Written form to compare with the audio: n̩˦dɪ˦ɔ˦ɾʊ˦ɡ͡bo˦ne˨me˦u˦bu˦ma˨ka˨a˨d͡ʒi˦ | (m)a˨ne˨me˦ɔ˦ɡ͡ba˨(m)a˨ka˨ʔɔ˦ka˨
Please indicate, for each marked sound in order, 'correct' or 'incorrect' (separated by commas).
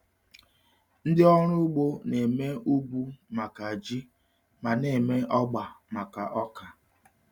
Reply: correct, correct